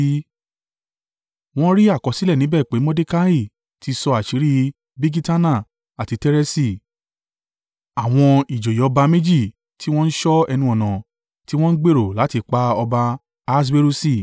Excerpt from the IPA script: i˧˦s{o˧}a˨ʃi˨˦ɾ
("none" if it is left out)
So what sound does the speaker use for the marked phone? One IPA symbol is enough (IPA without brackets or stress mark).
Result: ɔ˧